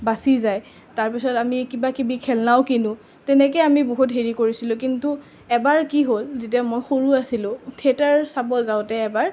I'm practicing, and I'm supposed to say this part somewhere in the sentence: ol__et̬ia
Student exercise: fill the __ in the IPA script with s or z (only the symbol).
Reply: z